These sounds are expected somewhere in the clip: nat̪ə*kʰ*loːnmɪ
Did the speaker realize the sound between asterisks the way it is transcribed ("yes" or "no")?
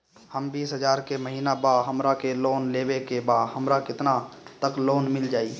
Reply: no